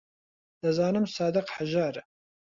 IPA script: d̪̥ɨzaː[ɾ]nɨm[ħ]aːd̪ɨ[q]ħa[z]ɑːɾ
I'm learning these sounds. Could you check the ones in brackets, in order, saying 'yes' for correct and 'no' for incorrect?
no, no, yes, no

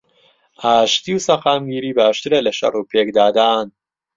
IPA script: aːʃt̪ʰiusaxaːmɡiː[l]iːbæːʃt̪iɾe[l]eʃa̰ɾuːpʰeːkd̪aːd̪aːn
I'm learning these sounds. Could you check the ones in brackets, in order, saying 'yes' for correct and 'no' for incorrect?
no, yes

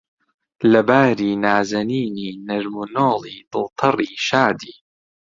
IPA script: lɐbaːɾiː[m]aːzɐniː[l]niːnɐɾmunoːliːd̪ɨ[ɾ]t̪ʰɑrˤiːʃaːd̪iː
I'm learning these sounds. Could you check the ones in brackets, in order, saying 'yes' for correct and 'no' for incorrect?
no, no, no

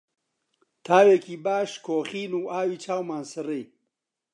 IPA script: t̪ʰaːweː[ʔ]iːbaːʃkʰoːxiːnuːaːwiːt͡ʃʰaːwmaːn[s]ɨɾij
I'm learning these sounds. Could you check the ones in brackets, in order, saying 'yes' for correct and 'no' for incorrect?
no, yes

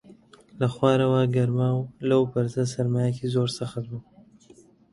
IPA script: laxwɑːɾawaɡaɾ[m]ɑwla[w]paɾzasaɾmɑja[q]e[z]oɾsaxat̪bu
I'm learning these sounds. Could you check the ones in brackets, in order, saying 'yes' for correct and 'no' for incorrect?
yes, yes, no, yes

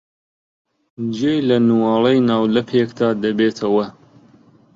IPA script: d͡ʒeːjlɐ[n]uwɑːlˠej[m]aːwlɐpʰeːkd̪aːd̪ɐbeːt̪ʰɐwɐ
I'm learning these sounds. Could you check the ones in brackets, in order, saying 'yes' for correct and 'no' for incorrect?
yes, no

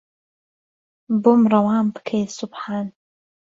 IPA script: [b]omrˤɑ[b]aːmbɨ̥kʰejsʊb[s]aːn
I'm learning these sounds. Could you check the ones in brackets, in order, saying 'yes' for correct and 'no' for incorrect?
yes, no, no

